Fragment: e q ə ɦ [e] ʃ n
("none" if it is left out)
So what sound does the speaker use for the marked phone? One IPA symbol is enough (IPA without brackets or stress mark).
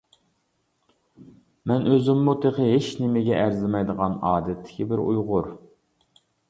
e